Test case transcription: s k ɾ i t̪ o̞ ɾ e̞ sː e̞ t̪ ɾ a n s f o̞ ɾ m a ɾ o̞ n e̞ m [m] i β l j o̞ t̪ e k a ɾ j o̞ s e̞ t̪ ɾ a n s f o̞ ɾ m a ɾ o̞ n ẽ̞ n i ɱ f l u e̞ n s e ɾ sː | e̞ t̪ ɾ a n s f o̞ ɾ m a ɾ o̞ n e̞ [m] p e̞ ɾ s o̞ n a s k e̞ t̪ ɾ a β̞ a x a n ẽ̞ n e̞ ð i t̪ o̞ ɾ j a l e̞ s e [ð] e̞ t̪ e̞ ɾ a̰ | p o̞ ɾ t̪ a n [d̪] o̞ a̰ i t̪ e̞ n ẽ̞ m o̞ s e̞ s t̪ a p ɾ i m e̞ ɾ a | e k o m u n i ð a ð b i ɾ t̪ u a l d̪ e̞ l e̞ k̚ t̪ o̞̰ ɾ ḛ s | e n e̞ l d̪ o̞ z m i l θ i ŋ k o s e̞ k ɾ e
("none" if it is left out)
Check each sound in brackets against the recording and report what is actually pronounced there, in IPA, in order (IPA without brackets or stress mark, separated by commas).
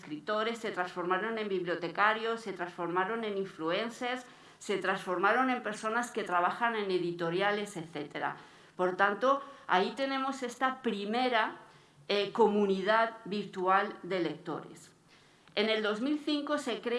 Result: b, m, θ, t̪